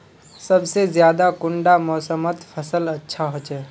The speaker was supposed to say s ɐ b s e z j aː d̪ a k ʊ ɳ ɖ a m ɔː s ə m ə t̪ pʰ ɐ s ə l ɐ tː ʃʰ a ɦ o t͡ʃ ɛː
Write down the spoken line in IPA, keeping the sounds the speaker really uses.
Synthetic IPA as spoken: s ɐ b s e z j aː d̪ a k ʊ ɳ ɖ a m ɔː s ə m ə t̪ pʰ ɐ s ə l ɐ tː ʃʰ a ɦ o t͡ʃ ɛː

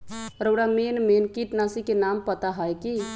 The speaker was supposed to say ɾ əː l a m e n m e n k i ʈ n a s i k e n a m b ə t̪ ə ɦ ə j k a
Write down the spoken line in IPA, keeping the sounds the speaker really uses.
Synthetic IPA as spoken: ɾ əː ɽ a m e n m e n k i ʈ n a s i k e n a m p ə t̪ a ɦ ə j k i

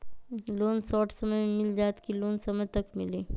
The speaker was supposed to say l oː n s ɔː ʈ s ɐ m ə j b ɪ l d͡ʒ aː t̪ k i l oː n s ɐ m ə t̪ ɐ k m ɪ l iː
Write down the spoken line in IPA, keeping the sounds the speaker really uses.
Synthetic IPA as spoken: l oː n s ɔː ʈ s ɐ m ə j m ɪ l d͡ʒ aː t̪ k i l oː n s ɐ m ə t̪ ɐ k m ɪ l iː

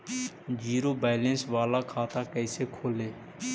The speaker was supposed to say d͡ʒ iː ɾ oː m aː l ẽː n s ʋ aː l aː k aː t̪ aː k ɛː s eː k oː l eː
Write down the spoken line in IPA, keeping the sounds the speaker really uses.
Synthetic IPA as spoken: d͡ʒ iː ɾ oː b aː l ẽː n s ʋ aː l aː kʰ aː t̪ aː k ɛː s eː kʰ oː l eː

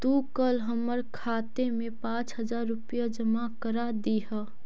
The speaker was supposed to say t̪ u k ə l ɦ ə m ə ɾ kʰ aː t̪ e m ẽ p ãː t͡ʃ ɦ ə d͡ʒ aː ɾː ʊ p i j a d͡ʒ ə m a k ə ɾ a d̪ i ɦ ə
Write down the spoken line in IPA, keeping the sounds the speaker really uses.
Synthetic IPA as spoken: t̪ u k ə l ɦ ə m ə ɾ kʰ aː t̪ e m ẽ p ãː t͡ʃ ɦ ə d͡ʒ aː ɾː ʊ p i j a d͡ʒ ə m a k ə ɾ a d̪ i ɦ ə

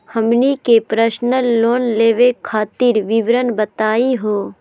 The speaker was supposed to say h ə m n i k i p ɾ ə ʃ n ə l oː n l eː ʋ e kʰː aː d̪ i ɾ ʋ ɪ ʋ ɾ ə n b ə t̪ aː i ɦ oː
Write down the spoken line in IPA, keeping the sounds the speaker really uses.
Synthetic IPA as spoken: h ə m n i k e p ɾ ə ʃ n ə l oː n l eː ʋ e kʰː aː t̪ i ɾ ʋ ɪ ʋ ɾ ə n b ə t̪ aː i ɦ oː

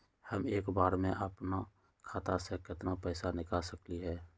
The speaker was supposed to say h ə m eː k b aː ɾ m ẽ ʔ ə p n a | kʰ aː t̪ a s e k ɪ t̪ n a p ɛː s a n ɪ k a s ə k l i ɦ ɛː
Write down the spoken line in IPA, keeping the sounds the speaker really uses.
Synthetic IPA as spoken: h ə m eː k b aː ɾ m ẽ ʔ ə p n a | kʰ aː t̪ a s e k ɪ t̪ n a p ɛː s a n ɪ k a s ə k l i ɦ ɛː

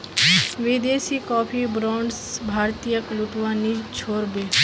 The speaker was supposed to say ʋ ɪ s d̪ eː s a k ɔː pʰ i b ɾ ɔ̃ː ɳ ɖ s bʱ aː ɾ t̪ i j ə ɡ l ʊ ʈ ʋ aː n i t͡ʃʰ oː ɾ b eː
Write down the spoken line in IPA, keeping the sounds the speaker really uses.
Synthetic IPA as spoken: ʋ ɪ d̪ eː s i k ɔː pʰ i b ɾ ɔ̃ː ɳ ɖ s bʱ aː ɾ t̪ i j ə k l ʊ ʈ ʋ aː n i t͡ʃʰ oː ɾ b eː

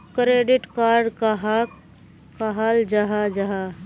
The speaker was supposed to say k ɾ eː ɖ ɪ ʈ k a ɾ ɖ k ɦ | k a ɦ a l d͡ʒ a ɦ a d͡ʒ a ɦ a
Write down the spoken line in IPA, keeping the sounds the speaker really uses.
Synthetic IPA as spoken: k ɾ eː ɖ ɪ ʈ k a ɾ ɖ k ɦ | k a ɦ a l d͡ʒ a ɦ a d͡ʒ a ɦ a

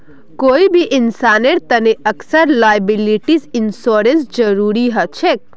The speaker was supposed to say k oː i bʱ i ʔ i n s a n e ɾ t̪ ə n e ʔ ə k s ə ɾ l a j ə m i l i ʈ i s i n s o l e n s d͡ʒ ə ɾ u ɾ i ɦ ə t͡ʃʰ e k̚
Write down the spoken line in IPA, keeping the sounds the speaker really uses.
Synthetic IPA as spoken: k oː i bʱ i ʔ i n s a n e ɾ t̪ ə n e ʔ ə k s ə ɾ l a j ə b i l i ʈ i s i n s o ɾ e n s d͡ʒ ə ɾ u ɾ i ɦ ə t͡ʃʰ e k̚

